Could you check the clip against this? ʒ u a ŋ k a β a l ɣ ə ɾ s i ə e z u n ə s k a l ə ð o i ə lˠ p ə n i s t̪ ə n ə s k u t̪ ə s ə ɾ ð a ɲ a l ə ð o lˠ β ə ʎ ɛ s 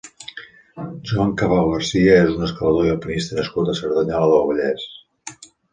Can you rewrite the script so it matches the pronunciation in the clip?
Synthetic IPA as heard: ʒ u a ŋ k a β a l ɣ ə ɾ s i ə e z u n ə s k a l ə ð o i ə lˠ p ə n i s t̪ ə n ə s k u t̪ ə s ə ɾ ð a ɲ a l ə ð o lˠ β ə ʎ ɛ s